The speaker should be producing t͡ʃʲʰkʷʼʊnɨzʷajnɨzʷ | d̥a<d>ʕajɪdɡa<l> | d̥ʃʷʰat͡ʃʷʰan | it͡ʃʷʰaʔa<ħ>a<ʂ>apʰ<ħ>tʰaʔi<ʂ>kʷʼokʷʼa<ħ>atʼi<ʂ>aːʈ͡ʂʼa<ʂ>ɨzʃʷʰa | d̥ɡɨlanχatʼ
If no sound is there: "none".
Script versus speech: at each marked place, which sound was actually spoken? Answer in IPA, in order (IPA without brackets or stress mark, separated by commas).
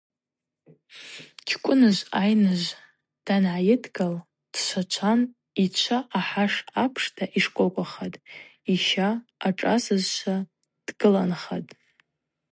n, l, ħ, ʂ, ʂ, ʂ, χ, ʃ, s